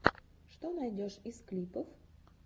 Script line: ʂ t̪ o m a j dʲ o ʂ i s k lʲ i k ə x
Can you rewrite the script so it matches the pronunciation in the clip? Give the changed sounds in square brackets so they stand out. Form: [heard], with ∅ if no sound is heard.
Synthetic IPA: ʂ t̪ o [n] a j dʲ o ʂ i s k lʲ i [p] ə [f]